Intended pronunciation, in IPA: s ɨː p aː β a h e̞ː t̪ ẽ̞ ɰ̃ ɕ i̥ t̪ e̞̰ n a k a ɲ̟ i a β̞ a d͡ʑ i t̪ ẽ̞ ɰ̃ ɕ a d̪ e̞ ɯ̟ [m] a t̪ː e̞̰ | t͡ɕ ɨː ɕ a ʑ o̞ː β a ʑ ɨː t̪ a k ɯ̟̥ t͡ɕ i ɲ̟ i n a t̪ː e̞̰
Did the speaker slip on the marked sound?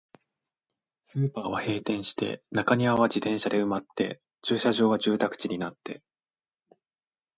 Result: no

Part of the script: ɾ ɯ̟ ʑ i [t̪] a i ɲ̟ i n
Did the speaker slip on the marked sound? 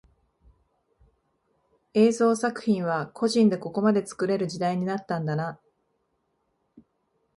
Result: yes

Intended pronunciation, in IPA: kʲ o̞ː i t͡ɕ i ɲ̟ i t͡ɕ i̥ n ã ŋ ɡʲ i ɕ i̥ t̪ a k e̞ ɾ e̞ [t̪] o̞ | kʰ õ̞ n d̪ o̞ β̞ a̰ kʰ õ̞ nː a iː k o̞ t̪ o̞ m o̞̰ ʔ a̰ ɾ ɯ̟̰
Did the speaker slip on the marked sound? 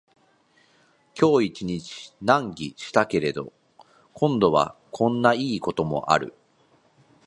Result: yes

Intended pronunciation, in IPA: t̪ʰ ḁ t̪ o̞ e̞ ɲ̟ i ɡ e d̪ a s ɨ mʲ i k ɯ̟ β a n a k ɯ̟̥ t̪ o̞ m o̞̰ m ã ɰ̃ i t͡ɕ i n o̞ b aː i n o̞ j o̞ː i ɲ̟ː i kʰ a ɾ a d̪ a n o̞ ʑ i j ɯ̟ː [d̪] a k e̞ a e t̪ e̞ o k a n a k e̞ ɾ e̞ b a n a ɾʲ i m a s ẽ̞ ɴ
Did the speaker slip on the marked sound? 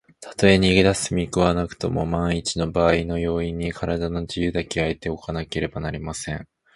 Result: no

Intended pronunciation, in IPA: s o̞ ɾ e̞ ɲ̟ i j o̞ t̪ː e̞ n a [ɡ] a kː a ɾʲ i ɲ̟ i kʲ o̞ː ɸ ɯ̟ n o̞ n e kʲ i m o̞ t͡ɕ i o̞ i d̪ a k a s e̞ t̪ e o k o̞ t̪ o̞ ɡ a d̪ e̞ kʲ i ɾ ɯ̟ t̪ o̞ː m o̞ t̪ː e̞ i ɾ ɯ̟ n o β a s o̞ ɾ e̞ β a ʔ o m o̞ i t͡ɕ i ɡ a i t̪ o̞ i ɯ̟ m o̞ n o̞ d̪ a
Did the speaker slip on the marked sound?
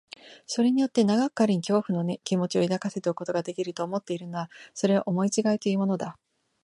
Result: no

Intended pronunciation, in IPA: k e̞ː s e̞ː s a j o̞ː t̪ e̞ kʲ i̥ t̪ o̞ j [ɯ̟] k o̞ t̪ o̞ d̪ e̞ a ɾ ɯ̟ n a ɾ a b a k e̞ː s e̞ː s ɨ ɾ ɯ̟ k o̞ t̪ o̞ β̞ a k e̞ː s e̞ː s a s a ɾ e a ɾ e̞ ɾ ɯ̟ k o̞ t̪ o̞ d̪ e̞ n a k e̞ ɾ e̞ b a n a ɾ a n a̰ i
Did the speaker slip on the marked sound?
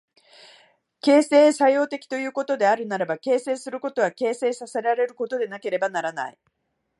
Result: yes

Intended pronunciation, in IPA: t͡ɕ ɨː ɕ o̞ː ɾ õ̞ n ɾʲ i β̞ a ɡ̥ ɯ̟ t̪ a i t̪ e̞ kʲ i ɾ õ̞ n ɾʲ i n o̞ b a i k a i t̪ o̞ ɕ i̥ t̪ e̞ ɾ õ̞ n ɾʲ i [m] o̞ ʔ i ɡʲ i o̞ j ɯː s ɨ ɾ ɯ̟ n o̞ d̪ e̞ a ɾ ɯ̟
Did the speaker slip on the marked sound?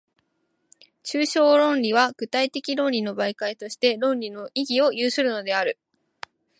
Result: yes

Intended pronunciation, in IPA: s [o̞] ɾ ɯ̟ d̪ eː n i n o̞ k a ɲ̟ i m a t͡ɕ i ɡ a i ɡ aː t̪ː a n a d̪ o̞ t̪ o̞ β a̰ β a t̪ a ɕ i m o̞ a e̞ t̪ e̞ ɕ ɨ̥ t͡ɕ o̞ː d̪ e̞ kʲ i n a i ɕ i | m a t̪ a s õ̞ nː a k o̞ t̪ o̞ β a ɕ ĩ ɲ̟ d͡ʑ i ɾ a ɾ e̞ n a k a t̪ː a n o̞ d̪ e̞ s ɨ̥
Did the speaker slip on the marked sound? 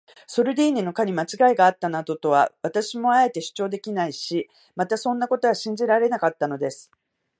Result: no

